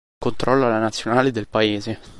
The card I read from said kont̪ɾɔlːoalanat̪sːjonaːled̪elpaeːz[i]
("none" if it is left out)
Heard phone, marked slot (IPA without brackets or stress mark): e